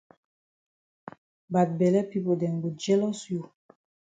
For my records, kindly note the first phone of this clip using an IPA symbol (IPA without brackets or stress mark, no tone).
b